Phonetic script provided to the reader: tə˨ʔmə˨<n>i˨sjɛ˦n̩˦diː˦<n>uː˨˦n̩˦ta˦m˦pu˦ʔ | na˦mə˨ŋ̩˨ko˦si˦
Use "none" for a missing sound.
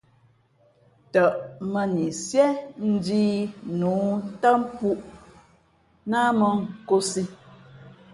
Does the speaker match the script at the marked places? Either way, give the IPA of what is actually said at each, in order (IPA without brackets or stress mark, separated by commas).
n, n